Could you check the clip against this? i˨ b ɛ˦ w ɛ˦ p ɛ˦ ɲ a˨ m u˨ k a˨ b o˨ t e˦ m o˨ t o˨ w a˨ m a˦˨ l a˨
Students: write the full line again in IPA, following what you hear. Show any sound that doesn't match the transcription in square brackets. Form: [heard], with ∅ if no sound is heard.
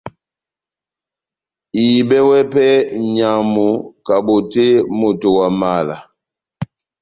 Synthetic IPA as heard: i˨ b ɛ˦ w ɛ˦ p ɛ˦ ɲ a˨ m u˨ k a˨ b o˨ t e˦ m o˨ t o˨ w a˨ m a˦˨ l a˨